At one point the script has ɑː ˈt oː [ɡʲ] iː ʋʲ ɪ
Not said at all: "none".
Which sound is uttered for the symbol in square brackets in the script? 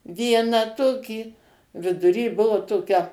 kʲ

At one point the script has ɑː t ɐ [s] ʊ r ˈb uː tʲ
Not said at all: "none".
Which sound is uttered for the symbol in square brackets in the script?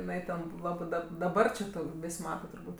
t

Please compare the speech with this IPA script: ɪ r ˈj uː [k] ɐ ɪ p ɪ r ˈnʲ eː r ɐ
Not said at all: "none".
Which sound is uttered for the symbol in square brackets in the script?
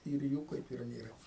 k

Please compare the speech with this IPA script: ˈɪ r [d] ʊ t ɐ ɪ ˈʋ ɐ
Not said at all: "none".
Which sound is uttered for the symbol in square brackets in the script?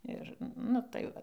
n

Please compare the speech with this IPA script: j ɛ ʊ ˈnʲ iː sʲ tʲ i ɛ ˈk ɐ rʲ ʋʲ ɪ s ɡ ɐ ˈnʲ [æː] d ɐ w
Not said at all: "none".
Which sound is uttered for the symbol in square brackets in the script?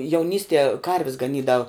iː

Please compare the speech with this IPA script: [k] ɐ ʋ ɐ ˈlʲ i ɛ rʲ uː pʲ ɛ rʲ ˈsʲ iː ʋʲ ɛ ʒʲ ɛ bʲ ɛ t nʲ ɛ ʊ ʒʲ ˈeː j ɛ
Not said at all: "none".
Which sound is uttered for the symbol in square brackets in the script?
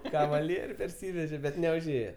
k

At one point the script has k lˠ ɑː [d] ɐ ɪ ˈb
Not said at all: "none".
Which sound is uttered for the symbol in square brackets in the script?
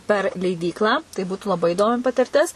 t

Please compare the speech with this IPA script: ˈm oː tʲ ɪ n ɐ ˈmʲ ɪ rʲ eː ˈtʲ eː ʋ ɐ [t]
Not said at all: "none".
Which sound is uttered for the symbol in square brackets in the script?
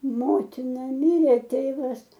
s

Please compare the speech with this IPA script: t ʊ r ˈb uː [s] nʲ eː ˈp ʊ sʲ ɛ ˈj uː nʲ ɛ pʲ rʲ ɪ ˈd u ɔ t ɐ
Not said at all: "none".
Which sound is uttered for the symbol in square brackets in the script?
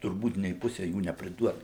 t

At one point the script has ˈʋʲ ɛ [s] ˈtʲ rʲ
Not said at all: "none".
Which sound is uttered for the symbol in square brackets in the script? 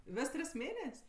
s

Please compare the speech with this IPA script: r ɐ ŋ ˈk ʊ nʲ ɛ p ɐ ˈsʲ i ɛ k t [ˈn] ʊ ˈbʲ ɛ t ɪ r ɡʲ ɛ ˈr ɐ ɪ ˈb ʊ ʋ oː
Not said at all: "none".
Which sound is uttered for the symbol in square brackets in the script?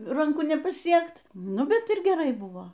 n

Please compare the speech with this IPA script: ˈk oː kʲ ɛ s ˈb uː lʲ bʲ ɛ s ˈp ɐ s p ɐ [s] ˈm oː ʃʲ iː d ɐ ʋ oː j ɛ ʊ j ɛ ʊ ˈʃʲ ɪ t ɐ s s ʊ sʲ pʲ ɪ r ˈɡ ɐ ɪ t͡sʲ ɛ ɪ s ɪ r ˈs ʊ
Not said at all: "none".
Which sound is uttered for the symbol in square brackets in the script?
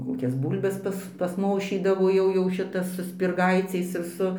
s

